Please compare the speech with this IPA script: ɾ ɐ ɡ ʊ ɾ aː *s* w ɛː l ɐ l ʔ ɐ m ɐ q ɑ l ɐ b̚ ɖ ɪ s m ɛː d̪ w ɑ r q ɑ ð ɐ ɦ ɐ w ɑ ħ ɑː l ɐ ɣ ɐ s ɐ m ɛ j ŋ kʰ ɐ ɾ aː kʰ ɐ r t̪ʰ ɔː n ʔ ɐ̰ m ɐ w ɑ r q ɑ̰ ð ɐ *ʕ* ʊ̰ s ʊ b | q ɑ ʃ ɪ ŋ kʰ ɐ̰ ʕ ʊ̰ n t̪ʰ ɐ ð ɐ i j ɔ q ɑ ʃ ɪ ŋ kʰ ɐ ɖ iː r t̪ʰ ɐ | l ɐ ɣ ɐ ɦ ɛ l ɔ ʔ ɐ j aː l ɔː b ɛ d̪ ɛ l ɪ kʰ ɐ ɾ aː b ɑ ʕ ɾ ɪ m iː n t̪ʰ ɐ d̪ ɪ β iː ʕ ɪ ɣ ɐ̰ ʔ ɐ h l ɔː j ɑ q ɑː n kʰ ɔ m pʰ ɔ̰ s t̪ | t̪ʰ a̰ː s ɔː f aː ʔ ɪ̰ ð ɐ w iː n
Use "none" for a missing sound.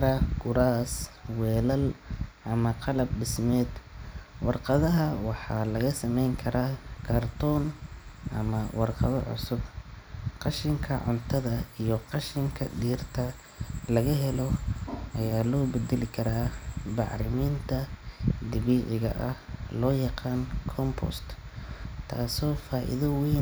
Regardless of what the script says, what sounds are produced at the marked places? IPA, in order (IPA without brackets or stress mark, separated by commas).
s, ʕ